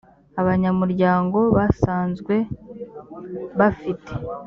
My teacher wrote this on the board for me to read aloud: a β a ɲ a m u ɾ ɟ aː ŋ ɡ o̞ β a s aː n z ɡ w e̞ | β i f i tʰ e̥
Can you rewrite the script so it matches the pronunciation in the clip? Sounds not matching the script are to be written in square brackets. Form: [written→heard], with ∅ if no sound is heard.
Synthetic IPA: a β a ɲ a m u ɾ ɟ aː ŋ ɡ o̞ β a s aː n z ɡ w e̞ | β [i→a] f i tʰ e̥

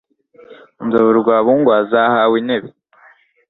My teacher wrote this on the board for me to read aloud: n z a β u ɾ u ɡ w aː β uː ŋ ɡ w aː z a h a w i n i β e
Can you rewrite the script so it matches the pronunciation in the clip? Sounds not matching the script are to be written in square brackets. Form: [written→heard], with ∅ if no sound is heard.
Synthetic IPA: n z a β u ɾ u ɡ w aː β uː ŋ ɡ w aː z a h a w i n [i→e] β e

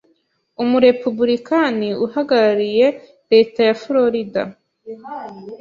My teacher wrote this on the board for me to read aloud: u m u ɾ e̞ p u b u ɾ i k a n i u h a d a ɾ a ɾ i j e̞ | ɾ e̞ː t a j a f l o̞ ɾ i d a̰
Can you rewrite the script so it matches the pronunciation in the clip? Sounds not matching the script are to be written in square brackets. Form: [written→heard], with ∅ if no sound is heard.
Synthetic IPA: u m u ɾ e̞ p u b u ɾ i k a n i u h a [d→ɡ] a ɾ a ɾ i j e̞ | ɾ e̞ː t a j a f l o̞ ɾ i d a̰

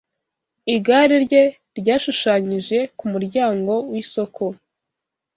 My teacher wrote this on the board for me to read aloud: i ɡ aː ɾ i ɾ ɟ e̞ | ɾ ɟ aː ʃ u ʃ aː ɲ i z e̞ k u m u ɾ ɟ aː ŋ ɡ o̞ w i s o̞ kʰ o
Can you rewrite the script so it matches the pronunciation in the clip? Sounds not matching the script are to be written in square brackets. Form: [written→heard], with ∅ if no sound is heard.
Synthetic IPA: i ɡ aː ɾ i ɾ ɟ e̞ | ɾ ɟ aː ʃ u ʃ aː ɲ i [z→ʒ] e̞ k u m u ɾ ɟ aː ŋ ɡ o̞ w i s o̞ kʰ o

